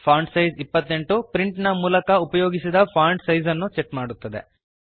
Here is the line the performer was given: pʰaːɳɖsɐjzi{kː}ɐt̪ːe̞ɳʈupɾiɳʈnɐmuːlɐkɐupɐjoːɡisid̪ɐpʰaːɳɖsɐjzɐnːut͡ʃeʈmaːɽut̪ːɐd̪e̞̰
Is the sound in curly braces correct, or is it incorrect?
incorrect